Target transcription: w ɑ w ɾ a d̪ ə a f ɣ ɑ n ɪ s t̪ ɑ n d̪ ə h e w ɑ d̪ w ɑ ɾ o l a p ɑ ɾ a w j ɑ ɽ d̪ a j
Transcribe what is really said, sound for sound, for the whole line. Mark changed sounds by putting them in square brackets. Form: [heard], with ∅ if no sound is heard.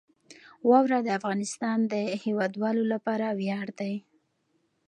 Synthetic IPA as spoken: w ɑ w ɾ a d̪ ə a f ɣ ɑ n ɪ s t̪ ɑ n d̪ ə h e w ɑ d̪ w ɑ [l] o l a p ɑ ɾ a w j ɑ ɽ d̪ a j